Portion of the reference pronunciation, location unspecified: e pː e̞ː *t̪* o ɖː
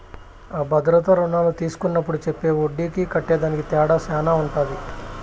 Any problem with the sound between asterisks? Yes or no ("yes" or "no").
yes